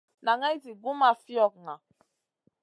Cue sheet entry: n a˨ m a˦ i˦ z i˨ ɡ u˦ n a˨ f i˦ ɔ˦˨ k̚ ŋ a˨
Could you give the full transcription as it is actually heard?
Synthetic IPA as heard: n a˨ ŋ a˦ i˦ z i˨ ɡ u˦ m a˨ f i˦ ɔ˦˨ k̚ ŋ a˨

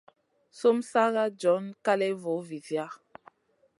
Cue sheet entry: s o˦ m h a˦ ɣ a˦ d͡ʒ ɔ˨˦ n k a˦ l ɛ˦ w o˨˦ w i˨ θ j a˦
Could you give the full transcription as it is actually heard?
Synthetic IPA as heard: s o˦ m s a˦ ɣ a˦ d͡ʒ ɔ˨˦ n k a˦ l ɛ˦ v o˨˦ v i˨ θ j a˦

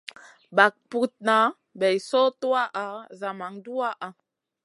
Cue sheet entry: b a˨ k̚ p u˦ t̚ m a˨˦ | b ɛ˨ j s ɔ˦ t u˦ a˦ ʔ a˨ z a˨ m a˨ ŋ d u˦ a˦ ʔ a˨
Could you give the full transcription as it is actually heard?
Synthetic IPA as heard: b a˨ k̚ p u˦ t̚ n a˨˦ | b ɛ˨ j s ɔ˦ t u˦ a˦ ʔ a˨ z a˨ m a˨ ŋ d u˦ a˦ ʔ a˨

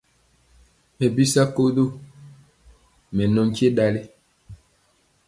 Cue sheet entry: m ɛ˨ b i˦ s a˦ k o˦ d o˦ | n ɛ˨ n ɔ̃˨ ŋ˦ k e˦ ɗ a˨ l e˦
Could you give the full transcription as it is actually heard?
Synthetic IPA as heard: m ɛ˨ b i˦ s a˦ k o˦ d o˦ | m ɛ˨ n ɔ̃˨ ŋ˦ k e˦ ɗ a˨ l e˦

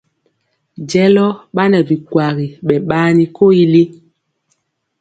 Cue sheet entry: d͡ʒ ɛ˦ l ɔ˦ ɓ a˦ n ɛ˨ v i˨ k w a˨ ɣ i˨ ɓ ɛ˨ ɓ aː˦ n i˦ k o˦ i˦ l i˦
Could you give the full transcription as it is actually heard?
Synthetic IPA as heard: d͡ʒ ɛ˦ l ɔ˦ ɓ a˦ n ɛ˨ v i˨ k w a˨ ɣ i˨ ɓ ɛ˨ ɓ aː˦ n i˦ k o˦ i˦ l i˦

